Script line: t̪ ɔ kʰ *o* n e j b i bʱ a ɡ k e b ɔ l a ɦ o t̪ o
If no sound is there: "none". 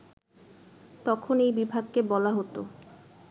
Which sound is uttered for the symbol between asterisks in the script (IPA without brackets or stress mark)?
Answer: o